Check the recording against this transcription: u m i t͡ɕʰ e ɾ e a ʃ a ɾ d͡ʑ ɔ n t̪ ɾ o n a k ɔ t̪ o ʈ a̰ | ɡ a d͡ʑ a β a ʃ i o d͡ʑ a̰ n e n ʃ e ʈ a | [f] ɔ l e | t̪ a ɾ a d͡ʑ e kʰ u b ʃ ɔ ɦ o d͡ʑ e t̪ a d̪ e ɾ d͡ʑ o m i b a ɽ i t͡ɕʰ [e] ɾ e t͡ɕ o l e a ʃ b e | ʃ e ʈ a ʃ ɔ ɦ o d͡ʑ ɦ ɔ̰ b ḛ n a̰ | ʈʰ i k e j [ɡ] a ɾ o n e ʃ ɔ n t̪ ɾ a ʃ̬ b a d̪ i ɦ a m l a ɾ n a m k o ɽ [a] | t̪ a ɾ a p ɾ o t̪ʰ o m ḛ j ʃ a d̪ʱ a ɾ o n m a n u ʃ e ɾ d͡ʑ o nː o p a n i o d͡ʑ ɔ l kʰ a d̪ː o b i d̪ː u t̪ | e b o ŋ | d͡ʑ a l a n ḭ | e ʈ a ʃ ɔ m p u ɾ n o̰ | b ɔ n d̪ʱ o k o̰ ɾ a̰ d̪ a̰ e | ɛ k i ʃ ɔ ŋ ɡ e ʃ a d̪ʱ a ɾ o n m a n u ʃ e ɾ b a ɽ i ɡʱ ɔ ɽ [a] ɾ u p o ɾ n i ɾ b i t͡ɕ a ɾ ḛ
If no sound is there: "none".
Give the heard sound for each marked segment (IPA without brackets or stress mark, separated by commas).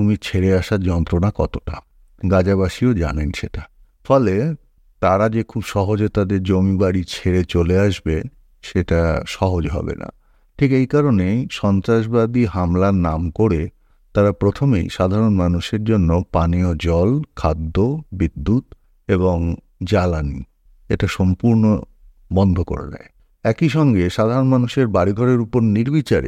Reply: f, e, k, e, e